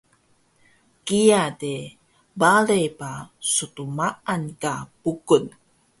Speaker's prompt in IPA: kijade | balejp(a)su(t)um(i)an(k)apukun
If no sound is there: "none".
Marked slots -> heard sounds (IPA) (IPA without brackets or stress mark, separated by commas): a, t, a, k